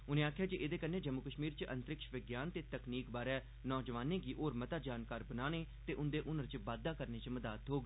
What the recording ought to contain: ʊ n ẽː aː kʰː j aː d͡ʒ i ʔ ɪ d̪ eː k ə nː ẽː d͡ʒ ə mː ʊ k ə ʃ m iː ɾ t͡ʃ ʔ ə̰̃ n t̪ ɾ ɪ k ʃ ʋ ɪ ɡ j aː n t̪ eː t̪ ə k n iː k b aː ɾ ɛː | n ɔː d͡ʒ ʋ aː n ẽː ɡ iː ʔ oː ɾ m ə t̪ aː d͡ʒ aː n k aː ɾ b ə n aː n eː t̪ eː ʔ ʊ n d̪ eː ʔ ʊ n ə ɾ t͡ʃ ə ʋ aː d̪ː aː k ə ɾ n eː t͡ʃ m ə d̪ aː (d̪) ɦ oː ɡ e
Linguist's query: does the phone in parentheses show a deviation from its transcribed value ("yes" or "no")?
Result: yes